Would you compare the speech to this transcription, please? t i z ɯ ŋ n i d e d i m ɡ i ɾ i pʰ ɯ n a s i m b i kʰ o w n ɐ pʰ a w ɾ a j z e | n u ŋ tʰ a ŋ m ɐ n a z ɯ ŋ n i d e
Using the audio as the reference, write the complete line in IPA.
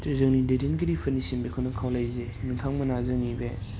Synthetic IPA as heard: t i z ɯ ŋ n i d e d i n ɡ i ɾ i pʰ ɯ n i s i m b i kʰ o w n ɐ kʰ a w l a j z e | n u ŋ tʰ a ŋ m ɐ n a z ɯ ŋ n i b e